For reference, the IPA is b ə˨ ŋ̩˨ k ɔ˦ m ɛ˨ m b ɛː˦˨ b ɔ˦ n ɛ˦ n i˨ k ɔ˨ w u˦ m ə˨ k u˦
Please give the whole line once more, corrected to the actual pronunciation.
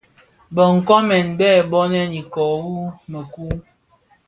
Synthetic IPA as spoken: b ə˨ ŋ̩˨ k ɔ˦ m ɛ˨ n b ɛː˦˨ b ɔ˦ n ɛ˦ n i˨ k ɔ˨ w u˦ m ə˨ k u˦